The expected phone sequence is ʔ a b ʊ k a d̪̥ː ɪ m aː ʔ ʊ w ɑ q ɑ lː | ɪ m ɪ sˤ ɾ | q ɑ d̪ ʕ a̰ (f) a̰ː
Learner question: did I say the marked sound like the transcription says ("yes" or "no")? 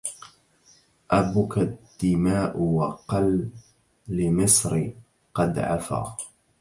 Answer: yes